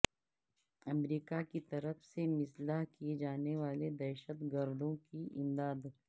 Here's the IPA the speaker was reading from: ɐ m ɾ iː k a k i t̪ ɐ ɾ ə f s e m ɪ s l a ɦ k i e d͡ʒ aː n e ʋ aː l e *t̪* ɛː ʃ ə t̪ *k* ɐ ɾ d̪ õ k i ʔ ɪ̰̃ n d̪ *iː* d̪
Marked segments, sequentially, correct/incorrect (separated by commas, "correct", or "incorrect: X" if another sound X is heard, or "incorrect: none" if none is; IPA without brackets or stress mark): incorrect: d̪, incorrect: ɡ, incorrect: aː